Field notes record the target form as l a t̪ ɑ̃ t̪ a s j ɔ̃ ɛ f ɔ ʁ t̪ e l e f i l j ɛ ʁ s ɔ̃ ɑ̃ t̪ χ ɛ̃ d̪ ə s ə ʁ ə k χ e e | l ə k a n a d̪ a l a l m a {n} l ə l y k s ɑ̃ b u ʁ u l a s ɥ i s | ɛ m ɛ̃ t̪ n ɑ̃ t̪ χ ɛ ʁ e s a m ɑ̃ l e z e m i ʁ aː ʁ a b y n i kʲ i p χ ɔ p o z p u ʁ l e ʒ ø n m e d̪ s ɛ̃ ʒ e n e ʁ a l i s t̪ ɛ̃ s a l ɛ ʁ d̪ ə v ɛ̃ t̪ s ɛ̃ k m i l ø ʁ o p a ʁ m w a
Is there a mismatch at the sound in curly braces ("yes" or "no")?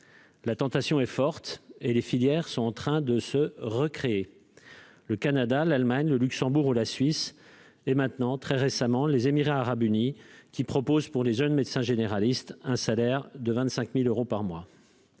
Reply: yes